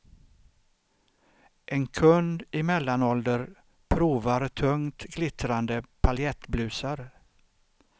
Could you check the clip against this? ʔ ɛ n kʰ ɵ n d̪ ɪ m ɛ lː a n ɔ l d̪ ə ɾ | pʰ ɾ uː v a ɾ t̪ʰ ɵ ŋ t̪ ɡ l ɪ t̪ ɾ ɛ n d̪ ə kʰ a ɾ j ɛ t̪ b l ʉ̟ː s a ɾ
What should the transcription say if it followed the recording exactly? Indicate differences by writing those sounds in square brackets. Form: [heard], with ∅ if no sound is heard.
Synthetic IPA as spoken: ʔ ɛ n kʰ ɵ n d̪ ɪ m ɛ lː a n ɔ l d̪ ə ɾ | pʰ ɾ uː v a ɾ t̪ʰ ɵ ŋ t̪ ɡ l ɪ t̪ ɾ [a] n d̪ ə [pʰ] a [l] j ɛ t̪ b l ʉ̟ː s a ɾ